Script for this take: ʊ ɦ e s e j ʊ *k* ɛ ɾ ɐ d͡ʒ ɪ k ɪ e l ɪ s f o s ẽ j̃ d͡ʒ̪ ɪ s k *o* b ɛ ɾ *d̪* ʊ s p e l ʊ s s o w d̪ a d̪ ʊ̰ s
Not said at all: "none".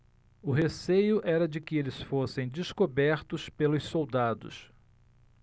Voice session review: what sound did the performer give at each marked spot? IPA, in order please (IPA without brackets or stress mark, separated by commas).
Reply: ʔ, o, t̪